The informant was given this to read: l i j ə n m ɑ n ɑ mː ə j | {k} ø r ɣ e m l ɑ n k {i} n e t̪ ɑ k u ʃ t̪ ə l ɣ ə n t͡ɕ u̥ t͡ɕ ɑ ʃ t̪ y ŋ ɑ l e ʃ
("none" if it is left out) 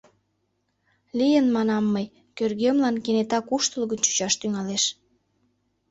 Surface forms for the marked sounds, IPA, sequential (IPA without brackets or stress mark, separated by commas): k, e